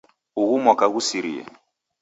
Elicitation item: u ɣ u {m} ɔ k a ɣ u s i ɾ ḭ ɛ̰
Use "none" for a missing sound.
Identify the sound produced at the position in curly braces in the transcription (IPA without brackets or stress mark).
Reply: m